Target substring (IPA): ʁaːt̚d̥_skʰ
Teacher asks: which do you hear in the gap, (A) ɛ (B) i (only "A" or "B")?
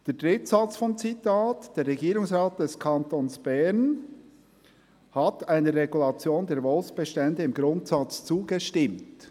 A